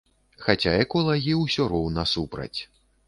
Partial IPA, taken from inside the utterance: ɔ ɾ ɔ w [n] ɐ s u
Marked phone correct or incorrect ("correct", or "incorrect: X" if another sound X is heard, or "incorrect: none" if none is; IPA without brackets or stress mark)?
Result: correct